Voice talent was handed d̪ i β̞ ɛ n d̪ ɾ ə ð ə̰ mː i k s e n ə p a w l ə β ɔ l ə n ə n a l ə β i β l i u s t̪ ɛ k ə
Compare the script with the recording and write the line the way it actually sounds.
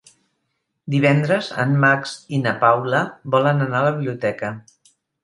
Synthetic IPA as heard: d̪ i β̞ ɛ n d̪ ɾ ə z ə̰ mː a k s i n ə p a w l ə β ɔ l ə n ə n a l ə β i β l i u t̪ ɛ k ə